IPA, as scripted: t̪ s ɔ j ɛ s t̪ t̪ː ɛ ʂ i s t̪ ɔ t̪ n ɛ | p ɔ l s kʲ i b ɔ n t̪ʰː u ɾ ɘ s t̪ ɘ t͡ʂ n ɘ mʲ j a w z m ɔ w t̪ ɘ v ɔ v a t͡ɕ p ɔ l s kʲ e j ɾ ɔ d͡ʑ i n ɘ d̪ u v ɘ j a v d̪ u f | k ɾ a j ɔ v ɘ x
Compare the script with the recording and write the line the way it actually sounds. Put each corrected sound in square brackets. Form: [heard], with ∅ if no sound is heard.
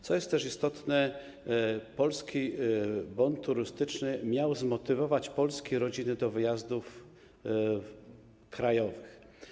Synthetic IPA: t̪ s ɔ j ɛ s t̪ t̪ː ɛ ʂ i s t̪ ɔ t̪ n ɛ | p ɔ l s kʲ i b ɔ n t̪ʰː u ɾ ɘ s t̪ ɘ t͡ʂ n ɘ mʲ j a w z m ɔ [∅] t̪ ɘ v ɔ v a t͡ɕ p ɔ l s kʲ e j ɾ ɔ d͡ʑ i n ɘ d̪ [ɔ] v ɘ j a [z] d̪ u f | k ɾ a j ɔ v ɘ x